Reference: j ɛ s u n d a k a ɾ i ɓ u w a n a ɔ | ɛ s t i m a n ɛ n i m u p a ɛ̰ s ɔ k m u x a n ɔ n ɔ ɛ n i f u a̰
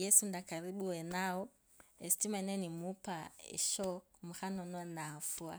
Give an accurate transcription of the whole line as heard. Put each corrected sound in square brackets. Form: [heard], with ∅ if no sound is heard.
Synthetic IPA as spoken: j ɛ s u n d a k a ɾ i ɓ u w [ɛ] n a ɔ | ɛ s t i m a n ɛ n i m u p a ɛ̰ [ʃ] ɔ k m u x a n ɔ n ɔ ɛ n [a] f u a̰